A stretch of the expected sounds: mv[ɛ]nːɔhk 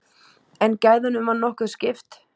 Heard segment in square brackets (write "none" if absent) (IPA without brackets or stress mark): a